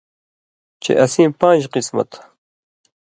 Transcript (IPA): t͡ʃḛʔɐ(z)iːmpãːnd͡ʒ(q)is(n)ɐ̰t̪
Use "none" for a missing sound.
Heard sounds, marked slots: s, q, m

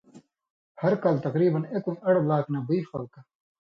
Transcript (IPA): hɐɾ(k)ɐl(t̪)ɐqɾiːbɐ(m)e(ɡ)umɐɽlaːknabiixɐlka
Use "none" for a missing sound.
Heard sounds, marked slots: k, t̪, n, k

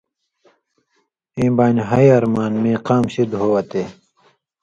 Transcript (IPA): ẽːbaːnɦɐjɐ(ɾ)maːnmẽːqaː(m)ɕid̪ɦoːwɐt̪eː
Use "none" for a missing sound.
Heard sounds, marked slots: ɾ, m

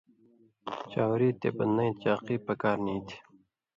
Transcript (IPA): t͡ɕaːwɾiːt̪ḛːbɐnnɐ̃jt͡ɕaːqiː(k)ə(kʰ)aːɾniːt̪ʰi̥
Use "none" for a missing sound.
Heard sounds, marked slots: p, k

